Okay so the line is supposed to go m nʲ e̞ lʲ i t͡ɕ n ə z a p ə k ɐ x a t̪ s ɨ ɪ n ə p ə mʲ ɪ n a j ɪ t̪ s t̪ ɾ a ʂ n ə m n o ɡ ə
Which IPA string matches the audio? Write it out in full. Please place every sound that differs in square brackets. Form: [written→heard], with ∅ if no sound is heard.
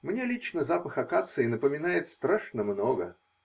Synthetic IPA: m nʲ e̞ lʲ i t͡ɕ n ə z a p ə [k→x] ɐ [x→k] a t̪ s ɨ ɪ n ə p ə mʲ ɪ n a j ɪ t̪ s t̪ ɾ a ʂ n ə m n o ɡ ə